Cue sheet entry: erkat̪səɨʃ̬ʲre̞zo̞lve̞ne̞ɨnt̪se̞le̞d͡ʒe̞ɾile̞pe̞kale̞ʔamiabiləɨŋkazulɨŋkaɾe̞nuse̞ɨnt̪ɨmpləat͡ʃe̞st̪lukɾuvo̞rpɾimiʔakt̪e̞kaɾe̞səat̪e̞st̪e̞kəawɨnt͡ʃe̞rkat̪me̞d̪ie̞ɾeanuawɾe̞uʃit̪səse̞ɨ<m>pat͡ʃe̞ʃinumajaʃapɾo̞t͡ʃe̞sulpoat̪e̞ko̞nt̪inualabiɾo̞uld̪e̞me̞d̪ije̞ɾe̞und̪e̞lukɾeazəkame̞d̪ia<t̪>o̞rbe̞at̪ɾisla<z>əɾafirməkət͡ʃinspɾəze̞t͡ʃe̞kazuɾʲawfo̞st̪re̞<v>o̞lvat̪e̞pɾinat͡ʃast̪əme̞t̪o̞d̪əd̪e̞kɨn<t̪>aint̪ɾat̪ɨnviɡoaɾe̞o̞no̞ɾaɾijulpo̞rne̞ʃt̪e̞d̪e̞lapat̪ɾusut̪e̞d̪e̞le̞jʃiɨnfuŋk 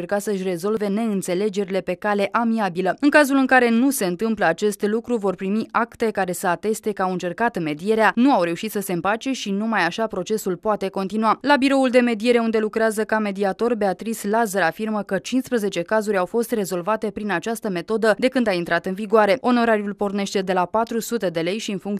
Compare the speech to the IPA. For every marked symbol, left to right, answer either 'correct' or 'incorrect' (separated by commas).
correct, correct, correct, incorrect, incorrect